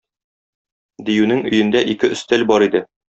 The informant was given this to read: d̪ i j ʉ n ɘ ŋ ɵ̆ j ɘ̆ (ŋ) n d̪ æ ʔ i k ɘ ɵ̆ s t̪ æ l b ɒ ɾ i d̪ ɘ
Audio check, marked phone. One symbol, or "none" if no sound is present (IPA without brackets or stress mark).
none